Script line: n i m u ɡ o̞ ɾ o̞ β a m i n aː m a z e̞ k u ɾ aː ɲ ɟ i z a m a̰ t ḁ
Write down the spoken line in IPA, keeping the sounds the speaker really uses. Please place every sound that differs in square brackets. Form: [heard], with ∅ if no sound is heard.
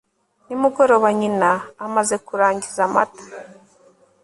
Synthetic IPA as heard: n i m u ɡ o̞ ɾ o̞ β a [ɲ] i n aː m a z e̞ k u ɾ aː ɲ ɟ i z a m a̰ t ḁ

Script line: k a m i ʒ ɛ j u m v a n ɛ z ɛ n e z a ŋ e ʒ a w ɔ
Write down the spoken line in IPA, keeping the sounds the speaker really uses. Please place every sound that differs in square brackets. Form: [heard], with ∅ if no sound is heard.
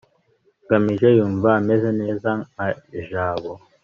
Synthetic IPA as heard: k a m i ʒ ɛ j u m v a [m] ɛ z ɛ n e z a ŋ [a] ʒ a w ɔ

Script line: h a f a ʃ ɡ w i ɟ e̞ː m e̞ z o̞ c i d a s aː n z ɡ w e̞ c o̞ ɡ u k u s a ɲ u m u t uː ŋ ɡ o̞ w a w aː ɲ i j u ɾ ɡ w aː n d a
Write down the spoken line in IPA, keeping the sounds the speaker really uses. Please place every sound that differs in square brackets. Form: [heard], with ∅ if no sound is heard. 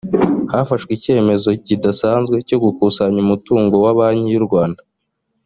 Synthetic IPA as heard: h a f a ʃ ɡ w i [c] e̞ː m e̞ z o̞ c i d a s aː n z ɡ w e̞ c o̞ ɡ u k u s a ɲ u m u t uː ŋ ɡ o̞ w a [β] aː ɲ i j u ɾ ɡ w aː n d a

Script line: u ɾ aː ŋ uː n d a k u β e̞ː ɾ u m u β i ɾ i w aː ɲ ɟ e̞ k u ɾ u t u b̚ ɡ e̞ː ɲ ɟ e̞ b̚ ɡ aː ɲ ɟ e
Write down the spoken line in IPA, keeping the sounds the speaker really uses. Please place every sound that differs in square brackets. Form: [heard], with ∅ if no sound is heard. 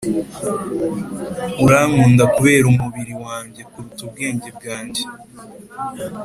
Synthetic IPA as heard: u ɾ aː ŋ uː n d a k u β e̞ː ɾ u m u β i ɾ i w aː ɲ ɟ e̞ k u ɾ u t u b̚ ɡ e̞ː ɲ ɟ e̞ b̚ ɡ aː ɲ ɟ e

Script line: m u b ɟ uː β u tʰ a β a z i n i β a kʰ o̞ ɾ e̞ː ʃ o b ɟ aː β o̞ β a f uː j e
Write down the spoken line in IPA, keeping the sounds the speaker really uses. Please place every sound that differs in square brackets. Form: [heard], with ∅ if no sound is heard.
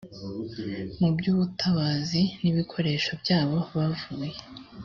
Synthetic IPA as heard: m u b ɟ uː β u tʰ a β a z i n i β [i] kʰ o̞ ɾ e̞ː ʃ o b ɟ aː β o̞ β a [v] uː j e

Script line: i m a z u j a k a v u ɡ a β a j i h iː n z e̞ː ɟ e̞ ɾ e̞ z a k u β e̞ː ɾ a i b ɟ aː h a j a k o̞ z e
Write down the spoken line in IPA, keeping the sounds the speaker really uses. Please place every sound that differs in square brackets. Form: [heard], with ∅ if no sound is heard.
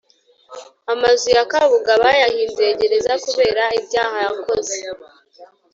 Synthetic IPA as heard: [a] m a z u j a k a [β] u ɡ a β a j [a] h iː n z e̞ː ɟ e̞ ɾ e̞ z a k u β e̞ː ɾ a i b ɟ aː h a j a k o̞ z e

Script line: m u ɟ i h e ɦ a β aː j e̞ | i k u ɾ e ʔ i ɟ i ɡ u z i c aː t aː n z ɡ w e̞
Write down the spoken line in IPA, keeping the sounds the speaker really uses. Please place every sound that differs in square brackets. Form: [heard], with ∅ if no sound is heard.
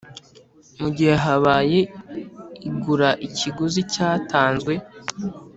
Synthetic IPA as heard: m u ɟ i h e ɦ a β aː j e̞ | i [ɡ] u ɾ [a] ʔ i [c] i ɡ u z i c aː t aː n z ɡ w e̞

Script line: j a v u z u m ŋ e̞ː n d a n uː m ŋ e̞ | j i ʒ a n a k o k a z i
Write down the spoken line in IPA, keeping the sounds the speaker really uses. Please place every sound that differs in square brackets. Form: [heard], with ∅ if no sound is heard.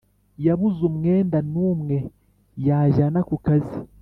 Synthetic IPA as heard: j a [β] u z u m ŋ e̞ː n d a n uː m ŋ e̞ | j [a] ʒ a n a k [u] k a z i

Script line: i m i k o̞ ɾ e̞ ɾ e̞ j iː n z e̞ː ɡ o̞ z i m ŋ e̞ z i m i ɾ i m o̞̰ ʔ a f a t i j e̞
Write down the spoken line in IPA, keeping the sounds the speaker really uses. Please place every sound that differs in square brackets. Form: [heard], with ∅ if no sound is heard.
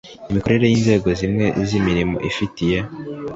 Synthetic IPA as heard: i m i k o̞ ɾ e̞ ɾ e̞ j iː n z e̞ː ɡ o̞ z i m ŋ e̞ z i m i ɾ i m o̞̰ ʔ [i] f [i] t i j e̞

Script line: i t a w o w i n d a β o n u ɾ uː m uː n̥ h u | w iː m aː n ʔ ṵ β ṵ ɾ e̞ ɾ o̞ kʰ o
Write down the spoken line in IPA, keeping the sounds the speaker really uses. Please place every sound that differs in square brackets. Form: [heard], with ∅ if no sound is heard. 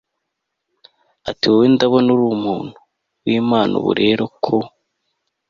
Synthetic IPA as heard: [a] t [i] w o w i n d a β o n u ɾ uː m uː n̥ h u | w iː m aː n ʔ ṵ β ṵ ɾ e̞ ɾ o̞ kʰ o

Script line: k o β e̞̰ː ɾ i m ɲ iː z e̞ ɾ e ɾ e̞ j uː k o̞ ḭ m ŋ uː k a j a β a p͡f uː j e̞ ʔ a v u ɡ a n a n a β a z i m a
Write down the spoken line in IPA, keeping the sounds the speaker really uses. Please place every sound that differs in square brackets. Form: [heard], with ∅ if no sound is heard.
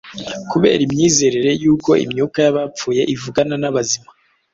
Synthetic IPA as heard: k [u] β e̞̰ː ɾ i m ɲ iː z e̞ ɾ e ɾ e̞ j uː k o̞ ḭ m [ɲ] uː k a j a β a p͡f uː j e̞ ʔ [i] v u ɡ a n a n a β a z i m a

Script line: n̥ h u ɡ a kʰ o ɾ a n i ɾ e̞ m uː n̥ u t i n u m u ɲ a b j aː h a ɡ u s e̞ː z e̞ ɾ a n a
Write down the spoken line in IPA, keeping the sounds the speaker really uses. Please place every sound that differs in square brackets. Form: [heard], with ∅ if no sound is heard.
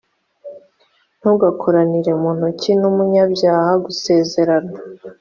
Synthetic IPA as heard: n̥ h u ɡ a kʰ o ɾ a n i ɾ e̞ m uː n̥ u [c] i n u m u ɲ a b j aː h a ɡ u s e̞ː z e̞ ɾ a n a

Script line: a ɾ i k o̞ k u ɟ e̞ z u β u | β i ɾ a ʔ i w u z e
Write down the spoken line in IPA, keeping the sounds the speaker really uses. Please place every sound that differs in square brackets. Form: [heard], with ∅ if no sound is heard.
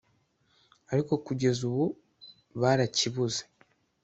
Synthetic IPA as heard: a ɾ i k o̞ k u ɟ e̞ z u β u | β [a] ɾ a [c] i [β] u z e

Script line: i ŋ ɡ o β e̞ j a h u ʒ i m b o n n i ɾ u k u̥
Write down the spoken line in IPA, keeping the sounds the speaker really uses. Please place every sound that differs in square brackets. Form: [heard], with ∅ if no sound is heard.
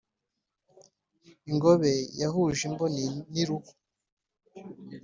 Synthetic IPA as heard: i ŋ ɡ o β e̞ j a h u ʒ i m b o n n i ɾ u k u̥

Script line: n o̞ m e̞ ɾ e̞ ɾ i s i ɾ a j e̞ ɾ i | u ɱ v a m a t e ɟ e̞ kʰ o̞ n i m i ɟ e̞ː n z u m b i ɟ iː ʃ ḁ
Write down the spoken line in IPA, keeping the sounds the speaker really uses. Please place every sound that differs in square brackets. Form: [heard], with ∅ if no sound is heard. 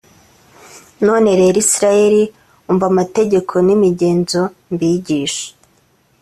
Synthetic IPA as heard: n o̞ [n] e̞ ɾ e̞ ɾ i s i ɾ a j e̞ ɾ i | u ɱ v a m a t e ɟ e̞ kʰ o̞ n i m i ɟ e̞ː n z [o] m b i ɟ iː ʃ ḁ

